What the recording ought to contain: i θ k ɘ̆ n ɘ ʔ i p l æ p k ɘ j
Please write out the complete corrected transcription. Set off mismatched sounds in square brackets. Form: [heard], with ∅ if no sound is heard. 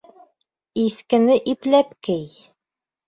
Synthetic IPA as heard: i θ k ɘ̆ n ɘ ʔ i p l æ p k ɘ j